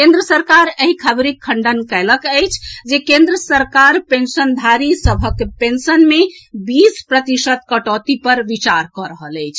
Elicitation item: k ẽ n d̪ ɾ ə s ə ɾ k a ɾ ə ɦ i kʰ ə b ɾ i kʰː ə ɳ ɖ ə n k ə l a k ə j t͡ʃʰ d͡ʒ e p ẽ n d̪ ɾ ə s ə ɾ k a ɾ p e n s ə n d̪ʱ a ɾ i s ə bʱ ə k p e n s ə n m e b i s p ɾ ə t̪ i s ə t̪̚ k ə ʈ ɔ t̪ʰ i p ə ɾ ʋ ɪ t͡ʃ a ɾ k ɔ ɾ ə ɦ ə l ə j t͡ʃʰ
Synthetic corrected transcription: k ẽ n d̪ ɾ ə s ə ɾ k a ɾ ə ɦ i kʰ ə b ɾ i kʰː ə ɳ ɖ ə n k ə l ə k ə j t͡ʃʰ d͡ʒ e k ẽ n d̪ ɾ ə s ə ɾ k a ɾ p e n s ə n d̪ʱ a ɾ i s ə bʱ ə k p e n s ə n m e b i s p ɾ ə t̪ i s ə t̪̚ k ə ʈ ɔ t̪ i p ə ɾ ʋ i t͡ʃ a ɾ k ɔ ɾ ə ɦ ə l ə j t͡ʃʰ